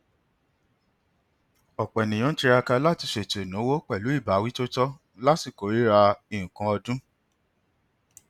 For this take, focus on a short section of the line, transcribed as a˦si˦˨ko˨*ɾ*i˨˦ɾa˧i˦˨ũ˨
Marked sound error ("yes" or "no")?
no